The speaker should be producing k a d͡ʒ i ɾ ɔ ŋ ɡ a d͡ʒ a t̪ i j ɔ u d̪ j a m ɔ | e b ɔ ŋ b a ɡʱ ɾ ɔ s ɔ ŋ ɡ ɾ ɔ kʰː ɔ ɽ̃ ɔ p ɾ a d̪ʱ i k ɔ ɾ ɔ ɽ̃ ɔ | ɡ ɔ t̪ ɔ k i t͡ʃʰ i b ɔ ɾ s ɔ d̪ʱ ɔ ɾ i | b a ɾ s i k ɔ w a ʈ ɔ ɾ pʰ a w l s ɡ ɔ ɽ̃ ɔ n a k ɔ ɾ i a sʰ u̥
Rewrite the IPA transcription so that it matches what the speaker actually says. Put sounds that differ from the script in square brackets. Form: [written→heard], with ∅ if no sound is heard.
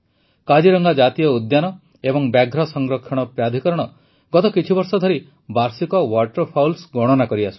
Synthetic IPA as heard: k a d͡ʒ i ɾ ɔ ŋ ɡ a d͡ʒ a t̪ i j ɔ u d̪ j a [m→n] ɔ | e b ɔ ŋ b a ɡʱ ɾ ɔ s ɔ ŋ ɡ ɾ ɔ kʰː ɔ ɽ̃ ɔ p ɾ a d̪ʱ i k ɔ ɾ ɔ ɽ̃ ɔ | ɡ ɔ t̪ ɔ k i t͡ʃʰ i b ɔ ɾ s ɔ d̪ʱ ɔ ɾ i | b a ɾ s i k ɔ w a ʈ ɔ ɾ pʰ a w l s ɡ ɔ ɽ̃ ɔ n a k ɔ ɾ i a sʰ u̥